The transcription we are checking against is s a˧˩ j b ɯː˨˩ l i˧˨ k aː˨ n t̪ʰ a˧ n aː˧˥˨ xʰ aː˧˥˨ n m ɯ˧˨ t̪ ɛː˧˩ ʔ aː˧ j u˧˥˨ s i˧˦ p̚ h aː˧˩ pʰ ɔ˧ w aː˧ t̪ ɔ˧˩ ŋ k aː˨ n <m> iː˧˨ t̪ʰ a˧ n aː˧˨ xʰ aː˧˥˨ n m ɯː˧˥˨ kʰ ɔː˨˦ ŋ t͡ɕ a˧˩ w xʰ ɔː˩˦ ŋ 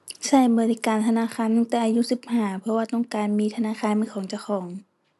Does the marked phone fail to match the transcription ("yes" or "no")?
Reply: no